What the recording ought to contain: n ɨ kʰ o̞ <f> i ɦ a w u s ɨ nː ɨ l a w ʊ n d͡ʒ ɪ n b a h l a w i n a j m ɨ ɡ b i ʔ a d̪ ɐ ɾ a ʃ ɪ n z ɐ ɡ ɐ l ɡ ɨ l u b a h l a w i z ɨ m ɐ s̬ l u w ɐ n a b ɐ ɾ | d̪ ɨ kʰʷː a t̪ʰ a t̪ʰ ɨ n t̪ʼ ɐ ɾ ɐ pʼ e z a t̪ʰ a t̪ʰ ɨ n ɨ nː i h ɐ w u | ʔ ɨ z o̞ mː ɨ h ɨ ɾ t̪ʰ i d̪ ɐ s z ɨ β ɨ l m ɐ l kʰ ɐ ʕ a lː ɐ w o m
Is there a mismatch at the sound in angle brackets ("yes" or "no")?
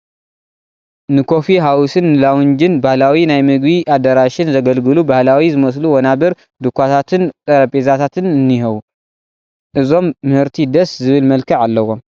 no